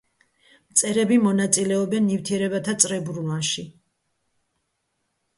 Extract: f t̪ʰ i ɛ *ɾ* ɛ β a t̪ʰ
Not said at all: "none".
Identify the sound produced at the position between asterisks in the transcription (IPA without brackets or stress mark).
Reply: ɾ